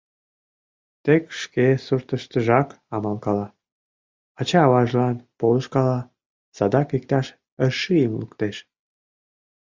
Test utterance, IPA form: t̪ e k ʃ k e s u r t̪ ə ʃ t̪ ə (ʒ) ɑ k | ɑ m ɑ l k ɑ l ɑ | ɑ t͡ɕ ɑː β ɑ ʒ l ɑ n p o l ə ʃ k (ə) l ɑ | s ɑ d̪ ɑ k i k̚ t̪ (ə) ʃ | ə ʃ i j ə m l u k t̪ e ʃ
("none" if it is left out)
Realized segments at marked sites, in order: ʒ, ɑ, ɑ

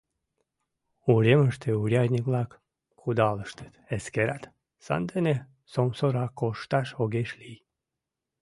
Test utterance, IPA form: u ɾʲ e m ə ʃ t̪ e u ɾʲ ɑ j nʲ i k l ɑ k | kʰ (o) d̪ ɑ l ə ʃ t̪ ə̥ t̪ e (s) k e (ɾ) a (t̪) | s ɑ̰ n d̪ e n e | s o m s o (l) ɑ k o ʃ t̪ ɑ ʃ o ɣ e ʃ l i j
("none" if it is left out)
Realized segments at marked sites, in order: u, s, ɾ, t̪, ɾ

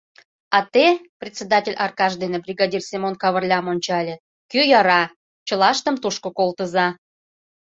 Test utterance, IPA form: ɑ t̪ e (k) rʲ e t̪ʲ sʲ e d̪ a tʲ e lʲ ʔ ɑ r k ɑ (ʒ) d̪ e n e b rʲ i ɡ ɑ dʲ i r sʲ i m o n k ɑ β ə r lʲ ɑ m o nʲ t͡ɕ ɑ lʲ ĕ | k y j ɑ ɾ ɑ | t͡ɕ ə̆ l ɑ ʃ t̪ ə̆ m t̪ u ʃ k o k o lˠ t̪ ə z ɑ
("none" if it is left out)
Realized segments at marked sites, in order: p, ʒ

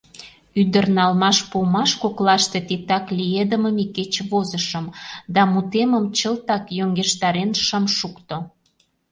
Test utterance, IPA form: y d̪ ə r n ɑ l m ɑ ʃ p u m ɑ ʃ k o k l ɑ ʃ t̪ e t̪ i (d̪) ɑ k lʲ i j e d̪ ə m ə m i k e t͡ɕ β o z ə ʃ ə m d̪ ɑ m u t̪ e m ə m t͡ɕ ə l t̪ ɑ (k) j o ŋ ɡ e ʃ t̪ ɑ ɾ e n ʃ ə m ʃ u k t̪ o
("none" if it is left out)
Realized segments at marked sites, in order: t̪, k

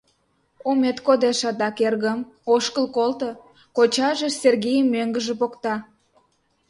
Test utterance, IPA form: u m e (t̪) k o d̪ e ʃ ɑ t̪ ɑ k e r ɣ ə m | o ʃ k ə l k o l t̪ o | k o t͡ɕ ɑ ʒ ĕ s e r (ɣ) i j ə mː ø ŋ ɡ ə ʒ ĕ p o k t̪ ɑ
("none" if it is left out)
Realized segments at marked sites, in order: t̪, ɣ

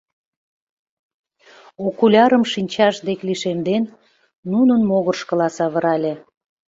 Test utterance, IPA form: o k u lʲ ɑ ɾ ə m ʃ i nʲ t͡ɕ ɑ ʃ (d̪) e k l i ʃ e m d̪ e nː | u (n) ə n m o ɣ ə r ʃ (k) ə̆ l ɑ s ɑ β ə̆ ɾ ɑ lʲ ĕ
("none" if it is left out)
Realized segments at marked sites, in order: d̪, n, k

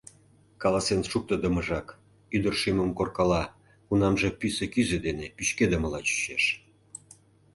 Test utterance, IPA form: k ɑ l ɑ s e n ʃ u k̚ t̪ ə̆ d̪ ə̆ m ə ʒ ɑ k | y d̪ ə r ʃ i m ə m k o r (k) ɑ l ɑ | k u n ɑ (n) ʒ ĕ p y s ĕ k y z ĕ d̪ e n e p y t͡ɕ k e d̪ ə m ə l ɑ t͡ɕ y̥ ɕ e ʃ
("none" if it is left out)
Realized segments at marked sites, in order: k, m

